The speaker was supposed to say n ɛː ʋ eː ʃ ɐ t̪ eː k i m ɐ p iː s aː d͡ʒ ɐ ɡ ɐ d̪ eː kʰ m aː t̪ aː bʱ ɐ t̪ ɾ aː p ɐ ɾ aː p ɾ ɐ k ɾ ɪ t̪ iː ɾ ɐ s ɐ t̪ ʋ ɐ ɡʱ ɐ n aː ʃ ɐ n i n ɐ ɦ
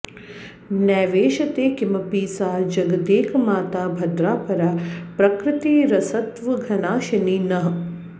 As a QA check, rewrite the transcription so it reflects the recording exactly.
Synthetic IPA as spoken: n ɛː ʋ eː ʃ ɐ t̪ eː k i m ɐ p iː s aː d͡ʒ ɐ ɡ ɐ d̪ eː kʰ m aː t̪ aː bʱ ɐ d̪ ɾ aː p ɐ ɾ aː p ɾ ɐ k ɾ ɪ t̪ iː ɾ ɐ s ɐ t̪ ʋ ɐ ɡʱ ɐ n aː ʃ ɐ n i n ɐ ɦ